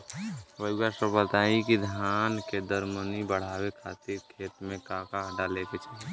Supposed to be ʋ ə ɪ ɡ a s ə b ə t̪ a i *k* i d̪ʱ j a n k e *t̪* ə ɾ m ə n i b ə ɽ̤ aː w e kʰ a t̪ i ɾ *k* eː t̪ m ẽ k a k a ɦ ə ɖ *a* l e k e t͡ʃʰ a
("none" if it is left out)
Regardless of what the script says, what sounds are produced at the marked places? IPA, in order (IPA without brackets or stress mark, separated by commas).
k, d̪, kʰ, a